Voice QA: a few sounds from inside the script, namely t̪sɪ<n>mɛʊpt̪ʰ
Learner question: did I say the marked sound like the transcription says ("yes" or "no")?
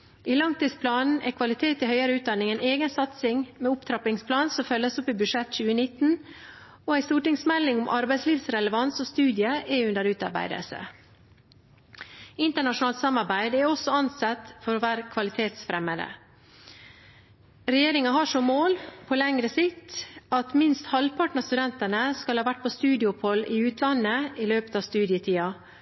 no